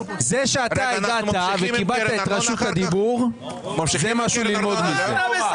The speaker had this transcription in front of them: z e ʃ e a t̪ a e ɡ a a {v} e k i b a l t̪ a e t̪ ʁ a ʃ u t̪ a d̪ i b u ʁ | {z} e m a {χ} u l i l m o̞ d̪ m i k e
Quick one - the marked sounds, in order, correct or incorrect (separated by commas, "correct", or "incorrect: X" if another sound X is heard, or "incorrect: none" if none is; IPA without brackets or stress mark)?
correct, correct, incorrect: ʃ